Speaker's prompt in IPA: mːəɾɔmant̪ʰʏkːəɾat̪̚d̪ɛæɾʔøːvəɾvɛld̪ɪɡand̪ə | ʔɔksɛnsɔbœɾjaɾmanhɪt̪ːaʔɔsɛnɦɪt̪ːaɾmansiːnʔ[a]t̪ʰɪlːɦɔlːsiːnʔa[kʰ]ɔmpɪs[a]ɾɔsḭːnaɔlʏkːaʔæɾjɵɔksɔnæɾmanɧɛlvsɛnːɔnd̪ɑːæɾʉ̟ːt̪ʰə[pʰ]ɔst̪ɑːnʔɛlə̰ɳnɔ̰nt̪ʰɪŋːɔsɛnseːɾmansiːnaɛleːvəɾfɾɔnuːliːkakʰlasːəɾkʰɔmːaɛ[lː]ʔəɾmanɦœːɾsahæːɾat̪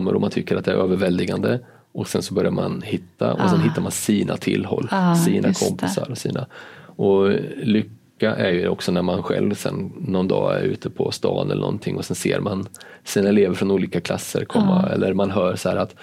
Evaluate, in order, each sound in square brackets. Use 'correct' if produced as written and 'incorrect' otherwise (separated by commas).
correct, correct, correct, correct, correct